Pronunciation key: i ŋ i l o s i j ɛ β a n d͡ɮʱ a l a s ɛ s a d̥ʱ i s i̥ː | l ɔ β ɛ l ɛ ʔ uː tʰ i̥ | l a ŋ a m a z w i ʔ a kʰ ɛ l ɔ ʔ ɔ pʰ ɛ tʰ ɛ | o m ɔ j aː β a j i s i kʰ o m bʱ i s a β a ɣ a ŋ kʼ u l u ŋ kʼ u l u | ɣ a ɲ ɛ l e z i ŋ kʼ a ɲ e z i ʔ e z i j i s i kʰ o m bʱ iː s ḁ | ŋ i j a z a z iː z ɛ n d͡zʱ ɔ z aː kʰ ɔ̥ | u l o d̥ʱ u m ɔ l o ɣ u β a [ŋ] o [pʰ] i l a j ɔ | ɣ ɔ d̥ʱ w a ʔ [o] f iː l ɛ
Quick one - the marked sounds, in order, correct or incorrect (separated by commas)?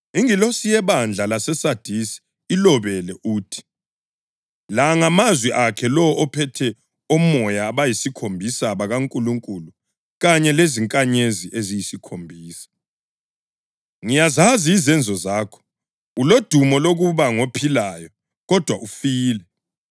correct, correct, incorrect